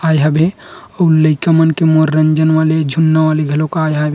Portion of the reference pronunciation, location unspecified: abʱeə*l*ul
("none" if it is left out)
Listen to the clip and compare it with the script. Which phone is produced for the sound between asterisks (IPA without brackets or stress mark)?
none